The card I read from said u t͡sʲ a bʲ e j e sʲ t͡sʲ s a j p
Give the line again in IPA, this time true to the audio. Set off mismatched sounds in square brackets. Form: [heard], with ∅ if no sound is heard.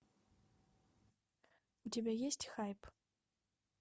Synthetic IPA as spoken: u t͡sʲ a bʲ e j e sʲ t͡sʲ [x] a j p